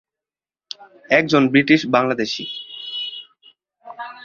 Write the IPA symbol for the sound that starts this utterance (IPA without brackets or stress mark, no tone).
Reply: ɛ